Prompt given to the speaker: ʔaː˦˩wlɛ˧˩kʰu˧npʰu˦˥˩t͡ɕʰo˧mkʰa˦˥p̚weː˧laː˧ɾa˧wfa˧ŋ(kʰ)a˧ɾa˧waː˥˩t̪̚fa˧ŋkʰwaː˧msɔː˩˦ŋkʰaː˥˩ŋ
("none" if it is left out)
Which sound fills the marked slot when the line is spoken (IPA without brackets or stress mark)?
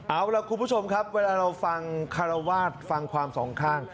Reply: kʰ